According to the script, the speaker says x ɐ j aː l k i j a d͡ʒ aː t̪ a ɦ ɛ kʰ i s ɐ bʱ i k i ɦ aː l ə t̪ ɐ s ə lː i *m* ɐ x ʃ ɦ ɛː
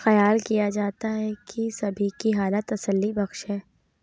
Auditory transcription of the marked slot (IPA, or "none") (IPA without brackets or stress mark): b